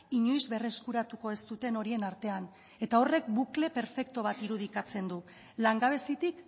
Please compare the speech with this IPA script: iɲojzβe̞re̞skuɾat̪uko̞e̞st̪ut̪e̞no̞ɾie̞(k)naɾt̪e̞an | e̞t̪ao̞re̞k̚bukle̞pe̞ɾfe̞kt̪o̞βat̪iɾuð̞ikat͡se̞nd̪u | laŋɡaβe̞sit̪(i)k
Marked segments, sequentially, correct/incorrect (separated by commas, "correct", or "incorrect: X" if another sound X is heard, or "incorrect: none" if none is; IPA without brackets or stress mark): incorrect: none, correct